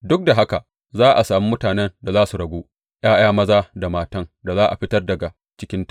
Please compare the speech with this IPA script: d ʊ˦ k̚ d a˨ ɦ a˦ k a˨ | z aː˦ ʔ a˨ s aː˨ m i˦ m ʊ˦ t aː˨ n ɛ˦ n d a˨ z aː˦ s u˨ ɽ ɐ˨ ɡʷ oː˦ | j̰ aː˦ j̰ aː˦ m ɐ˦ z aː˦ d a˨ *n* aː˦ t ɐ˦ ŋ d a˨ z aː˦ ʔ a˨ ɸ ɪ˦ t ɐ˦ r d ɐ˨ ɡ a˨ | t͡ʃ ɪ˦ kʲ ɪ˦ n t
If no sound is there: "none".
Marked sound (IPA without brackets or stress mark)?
m